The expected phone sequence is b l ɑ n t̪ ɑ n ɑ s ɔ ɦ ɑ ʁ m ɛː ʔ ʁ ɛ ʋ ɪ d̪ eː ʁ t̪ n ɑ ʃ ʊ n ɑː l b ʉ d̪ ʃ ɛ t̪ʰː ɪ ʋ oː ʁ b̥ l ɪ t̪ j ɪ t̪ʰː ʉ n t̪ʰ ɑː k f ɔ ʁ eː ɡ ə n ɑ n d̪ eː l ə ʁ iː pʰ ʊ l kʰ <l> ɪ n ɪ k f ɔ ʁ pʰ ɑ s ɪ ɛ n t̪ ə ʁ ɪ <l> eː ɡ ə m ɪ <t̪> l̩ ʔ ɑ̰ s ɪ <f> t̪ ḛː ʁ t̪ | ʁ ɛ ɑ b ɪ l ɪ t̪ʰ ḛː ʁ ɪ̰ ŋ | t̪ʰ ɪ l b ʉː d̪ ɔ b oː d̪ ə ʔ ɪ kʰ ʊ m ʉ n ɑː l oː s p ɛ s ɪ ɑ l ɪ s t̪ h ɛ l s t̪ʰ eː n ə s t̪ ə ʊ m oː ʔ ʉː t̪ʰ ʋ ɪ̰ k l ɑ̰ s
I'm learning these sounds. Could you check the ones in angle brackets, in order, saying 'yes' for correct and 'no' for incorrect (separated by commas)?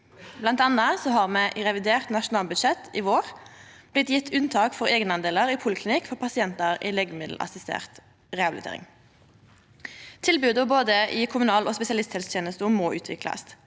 yes, yes, no, no